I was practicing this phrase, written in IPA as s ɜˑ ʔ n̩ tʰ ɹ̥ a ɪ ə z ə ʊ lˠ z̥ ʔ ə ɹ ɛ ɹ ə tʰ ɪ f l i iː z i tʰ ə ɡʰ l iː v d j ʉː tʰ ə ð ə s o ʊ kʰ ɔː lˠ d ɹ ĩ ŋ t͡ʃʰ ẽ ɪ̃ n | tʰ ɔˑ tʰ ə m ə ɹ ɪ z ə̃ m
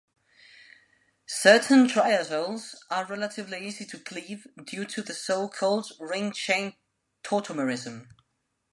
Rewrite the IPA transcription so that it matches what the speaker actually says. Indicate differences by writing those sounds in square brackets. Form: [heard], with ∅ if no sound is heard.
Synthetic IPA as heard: s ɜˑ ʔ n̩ tʰ ɹ̥ a ɪ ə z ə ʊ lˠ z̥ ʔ ə ɹ ɛ [l] ə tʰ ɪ [v] l i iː z i tʰ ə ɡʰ l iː v d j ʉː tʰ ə ð ə s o ʊ kʰ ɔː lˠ d ɹ [ɪ̃] ŋ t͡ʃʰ ẽ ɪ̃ n | tʰ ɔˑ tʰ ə m ə ɹ ɪ z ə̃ m